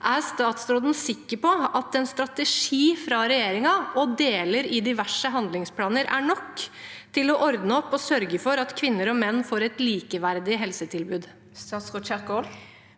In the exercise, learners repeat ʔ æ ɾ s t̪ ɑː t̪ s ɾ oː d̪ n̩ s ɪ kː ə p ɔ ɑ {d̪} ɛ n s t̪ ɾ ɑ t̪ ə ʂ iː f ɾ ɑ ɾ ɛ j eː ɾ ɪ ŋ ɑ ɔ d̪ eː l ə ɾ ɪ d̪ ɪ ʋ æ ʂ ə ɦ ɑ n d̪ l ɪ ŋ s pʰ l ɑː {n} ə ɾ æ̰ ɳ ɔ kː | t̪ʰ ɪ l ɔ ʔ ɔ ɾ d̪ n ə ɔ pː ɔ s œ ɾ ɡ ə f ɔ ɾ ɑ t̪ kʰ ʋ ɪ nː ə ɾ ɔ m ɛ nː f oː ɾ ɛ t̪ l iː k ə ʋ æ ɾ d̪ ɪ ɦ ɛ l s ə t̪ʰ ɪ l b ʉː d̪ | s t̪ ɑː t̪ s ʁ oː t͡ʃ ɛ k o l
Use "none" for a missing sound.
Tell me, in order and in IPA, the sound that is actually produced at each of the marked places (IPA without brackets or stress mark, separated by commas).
t̪, n